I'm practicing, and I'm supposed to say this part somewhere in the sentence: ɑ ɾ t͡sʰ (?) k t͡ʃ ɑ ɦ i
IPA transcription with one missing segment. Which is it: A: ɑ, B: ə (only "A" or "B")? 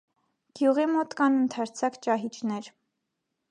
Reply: A